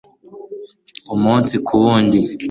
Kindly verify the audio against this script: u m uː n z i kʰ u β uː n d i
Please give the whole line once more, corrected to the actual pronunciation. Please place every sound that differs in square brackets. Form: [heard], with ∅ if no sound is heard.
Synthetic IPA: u m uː n [s] i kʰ u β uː n d i